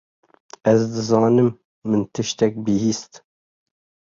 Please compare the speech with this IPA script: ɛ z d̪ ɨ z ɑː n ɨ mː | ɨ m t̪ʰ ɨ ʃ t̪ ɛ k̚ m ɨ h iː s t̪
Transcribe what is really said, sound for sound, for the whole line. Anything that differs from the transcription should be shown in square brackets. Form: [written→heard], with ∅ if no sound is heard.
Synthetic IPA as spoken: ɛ z d̪ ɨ z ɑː n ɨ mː | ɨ [m→n] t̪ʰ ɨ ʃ t̪ ɛ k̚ [m→b] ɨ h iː s t̪